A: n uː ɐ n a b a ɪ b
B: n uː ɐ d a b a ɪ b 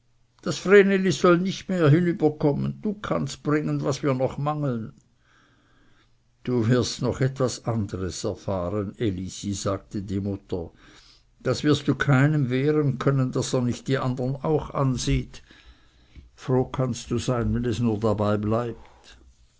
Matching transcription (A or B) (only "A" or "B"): B